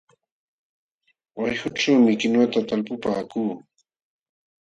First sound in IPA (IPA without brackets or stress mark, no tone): w